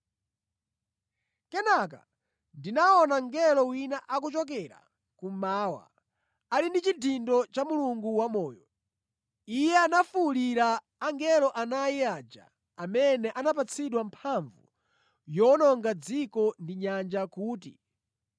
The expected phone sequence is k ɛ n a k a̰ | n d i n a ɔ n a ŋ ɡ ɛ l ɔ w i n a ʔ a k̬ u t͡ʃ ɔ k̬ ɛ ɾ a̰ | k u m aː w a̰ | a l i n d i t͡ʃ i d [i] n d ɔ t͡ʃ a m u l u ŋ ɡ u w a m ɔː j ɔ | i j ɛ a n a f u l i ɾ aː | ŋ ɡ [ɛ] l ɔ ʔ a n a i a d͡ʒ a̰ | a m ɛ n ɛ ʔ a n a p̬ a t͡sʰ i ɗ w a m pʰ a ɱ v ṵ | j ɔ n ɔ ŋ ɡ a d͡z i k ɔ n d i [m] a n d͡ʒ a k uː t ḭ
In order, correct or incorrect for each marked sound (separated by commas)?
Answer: correct, correct, incorrect